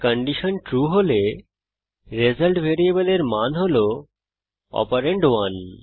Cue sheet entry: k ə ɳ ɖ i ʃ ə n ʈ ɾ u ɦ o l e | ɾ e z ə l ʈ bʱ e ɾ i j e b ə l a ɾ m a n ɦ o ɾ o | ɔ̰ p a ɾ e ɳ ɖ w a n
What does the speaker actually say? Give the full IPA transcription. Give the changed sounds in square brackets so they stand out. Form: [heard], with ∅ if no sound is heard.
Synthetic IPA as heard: k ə ɳ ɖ i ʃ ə n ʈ ɾ u ɦ o l e | ɾ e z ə l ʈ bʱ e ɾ i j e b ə l [e] ɾ m a n ɦ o [l] o | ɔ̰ p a ɾ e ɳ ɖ w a n